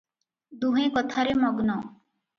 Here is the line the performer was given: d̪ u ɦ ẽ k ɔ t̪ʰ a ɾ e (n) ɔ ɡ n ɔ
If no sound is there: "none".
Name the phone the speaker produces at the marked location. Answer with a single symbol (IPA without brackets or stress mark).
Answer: m